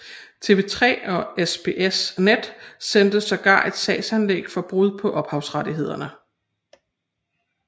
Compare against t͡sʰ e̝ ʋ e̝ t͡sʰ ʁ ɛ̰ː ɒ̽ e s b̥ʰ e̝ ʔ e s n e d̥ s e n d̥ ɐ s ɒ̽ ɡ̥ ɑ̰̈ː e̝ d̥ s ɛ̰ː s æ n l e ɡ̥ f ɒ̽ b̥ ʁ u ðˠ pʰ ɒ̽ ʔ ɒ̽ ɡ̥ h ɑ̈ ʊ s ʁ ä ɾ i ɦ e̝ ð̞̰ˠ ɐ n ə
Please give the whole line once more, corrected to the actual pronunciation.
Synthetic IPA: t͡sʰ e̝ ʋ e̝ t͡sʰ ʁ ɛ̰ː ɒ̽ e s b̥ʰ e̝ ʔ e s n e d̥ s e n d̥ ə s ɒ̽ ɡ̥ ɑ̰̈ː e̝ d̥ s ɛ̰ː s æ n l e ɡ̥ f ɒ̽ b̥ ʁ u ðˠ pʰ ɒ̽ ʔ ɒ̽ b̥ h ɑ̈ ʊ s ʁ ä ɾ i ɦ e̝ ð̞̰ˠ ɐ n ə

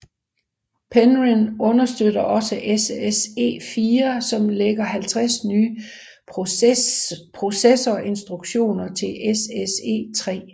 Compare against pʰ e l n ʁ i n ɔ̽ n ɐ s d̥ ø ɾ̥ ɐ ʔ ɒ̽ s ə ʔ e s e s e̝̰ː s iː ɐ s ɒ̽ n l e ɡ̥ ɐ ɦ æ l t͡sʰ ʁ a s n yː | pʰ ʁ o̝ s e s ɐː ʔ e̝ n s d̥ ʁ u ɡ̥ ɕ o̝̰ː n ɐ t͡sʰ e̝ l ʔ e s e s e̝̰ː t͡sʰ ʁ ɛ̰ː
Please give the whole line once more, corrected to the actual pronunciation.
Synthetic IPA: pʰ e n ʁ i n ɔ̽ n ɐ s d̥ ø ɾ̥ ɐ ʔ ɒ̽ s ə ʔ e s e s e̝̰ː f iː ɐ s ɒ̽ m l e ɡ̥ ɐ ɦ æ l t͡sʰ ʁ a s n yː | pʰ ʁ o̝ s e s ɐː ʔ e̝ n s d̥ ʁ u ɡ̥ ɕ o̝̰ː n ɐ t͡sʰ e̝ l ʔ e s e s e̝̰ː t͡sʰ ʁ ɛ̰ː

